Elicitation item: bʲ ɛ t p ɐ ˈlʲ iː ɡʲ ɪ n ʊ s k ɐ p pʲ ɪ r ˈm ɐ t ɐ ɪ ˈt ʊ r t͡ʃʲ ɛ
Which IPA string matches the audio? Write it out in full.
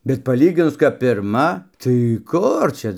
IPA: bʲ ɛ t p ɐ ˈlʲ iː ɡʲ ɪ n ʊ s k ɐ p pʲ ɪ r ˈm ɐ t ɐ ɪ ˈk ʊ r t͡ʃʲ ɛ